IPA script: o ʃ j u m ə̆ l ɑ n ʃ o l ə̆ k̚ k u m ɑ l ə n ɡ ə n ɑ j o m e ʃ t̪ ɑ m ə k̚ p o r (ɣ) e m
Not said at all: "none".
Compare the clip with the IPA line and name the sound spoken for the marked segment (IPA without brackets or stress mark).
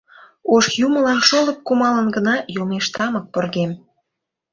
ɣ